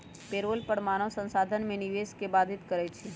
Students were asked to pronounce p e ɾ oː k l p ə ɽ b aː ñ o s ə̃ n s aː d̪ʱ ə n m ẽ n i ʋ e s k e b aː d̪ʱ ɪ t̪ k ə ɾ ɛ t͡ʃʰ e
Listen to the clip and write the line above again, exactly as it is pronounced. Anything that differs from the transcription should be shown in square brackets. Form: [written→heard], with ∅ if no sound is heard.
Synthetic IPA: p e ɾ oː [k→∅] l p ə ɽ [b→m] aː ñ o s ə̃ n s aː d̪ʱ ə n m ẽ n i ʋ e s k e b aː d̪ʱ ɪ t̪ k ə ɾ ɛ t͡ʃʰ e